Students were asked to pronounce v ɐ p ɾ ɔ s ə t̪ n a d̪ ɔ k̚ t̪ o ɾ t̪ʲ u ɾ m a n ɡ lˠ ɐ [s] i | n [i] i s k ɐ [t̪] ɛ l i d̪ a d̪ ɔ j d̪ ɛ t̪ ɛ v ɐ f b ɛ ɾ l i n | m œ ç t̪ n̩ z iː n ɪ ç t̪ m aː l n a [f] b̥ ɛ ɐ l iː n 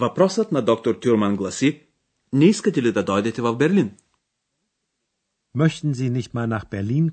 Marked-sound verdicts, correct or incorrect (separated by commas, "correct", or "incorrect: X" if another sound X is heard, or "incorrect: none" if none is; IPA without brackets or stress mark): correct, incorrect: ɛ, correct, incorrect: x